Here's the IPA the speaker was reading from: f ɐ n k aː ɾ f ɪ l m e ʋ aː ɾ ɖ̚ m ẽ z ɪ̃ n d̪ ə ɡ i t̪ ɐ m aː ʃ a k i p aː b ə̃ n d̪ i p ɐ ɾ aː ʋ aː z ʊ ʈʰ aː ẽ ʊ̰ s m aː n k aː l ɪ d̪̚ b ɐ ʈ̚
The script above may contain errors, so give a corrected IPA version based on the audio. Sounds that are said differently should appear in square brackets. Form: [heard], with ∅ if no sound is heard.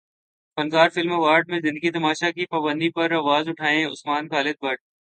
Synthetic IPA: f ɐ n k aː ɾ f ɪ l m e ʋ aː ɾ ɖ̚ m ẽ z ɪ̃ n d̪ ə ɡ i t̪ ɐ m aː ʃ a k i p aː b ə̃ n d̪ i p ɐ ɾ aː ʋ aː z ʊ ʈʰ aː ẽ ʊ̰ s m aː n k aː l ɪ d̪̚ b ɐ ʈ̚